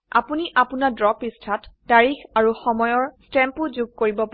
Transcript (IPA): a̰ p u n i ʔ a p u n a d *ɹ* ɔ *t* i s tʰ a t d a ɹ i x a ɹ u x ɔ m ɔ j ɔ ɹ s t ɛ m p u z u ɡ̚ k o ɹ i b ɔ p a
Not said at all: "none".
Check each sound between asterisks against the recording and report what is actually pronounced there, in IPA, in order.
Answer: ɹ, p

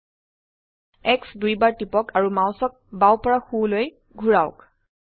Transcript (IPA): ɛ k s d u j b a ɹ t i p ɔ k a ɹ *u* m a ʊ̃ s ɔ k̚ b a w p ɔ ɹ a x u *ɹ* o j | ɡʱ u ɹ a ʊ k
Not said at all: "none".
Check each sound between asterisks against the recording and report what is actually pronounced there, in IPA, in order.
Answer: u, l

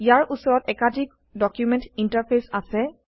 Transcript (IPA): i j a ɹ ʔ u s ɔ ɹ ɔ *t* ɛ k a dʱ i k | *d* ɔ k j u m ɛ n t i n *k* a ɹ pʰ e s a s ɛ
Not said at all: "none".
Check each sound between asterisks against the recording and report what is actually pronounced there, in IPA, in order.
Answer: t, d, t

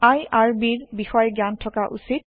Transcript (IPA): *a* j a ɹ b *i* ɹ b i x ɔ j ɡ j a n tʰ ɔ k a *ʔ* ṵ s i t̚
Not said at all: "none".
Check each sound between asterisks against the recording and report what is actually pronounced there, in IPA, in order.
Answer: a, i, ʔ

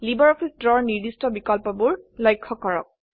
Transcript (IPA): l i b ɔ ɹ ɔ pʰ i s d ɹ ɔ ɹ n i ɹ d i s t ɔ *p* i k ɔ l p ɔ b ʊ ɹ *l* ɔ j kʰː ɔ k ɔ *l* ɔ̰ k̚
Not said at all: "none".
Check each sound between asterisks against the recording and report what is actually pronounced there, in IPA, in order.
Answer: b, l, ɹ

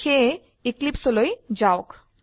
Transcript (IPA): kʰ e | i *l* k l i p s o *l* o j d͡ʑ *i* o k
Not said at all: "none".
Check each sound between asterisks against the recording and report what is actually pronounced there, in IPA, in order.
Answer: none, l, a

